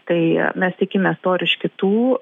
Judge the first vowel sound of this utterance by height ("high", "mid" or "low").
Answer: low